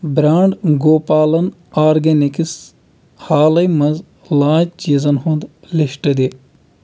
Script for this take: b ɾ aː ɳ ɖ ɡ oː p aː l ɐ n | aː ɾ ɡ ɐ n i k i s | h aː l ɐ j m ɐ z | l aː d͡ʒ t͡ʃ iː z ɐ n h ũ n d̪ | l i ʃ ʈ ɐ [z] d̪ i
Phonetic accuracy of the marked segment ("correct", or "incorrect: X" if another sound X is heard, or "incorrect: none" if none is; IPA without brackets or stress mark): incorrect: none